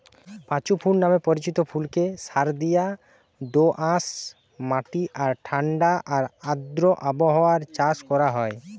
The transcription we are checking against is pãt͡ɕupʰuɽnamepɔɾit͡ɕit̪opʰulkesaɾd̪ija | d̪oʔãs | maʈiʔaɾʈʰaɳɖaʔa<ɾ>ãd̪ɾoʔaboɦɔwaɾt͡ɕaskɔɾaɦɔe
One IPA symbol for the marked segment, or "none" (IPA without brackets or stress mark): ɾ